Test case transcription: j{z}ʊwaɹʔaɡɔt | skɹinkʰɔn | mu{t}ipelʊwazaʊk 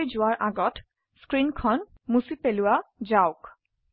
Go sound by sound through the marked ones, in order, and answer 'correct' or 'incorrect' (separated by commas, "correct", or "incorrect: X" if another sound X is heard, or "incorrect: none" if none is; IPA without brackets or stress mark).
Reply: correct, incorrect: s